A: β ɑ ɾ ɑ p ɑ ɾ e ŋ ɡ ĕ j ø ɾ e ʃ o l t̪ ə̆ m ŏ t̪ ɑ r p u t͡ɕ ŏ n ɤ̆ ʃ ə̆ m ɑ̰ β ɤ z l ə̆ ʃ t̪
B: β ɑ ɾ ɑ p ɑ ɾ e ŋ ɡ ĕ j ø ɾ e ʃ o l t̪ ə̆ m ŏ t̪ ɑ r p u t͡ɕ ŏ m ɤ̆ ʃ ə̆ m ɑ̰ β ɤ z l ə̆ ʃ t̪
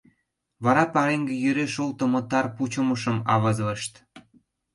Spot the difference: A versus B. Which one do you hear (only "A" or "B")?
B